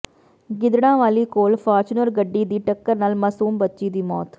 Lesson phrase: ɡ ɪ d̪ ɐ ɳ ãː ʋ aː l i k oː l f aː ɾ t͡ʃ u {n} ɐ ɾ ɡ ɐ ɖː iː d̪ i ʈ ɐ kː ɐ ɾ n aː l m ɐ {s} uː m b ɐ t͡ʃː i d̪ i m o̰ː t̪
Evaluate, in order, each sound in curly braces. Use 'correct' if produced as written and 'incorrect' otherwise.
correct, correct

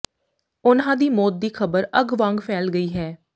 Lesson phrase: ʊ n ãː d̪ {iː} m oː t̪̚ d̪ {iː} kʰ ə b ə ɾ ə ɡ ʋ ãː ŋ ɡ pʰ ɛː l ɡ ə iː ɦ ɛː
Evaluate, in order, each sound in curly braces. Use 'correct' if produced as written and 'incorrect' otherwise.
correct, correct

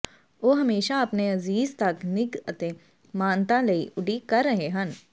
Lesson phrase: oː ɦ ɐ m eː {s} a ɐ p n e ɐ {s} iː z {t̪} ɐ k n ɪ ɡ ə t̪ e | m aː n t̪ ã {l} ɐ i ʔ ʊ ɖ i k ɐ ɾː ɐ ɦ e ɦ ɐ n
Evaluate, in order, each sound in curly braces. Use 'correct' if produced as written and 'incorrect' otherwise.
incorrect: ʃ, incorrect: z, correct, correct

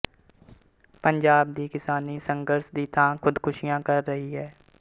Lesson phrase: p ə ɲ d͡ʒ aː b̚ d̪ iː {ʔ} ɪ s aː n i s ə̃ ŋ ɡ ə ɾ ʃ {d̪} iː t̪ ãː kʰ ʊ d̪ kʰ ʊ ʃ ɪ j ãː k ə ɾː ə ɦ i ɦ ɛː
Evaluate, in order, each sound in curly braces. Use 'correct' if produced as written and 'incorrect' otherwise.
incorrect: k, correct

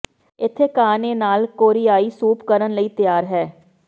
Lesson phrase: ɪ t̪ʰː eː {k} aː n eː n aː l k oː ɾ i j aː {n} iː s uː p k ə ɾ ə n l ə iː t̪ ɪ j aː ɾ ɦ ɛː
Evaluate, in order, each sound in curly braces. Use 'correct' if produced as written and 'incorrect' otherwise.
correct, incorrect: none

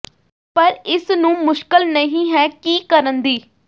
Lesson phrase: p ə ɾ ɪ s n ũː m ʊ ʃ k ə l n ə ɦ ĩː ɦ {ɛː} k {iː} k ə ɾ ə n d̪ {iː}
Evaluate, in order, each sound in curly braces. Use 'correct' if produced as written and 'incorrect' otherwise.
correct, correct, correct

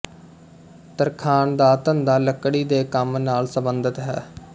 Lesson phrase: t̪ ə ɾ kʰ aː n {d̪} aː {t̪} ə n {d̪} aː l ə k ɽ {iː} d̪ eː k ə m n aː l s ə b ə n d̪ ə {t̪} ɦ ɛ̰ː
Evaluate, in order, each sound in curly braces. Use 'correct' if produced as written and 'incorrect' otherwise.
correct, correct, correct, correct, correct

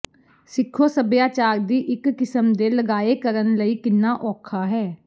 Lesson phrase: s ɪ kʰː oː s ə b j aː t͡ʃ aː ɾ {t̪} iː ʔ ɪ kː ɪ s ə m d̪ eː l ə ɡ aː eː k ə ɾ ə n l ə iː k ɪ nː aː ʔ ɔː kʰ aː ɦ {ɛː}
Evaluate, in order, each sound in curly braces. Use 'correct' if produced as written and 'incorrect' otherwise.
incorrect: d̪, correct

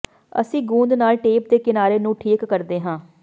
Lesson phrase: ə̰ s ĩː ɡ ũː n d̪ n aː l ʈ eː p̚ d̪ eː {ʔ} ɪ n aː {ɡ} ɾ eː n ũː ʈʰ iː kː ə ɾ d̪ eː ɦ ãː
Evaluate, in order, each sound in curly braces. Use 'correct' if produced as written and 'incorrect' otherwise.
incorrect: k, incorrect: none

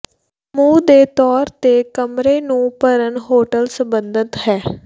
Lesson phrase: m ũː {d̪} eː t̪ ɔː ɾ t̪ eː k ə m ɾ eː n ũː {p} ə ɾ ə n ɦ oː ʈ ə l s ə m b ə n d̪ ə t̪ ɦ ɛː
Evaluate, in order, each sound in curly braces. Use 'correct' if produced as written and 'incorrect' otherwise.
correct, correct

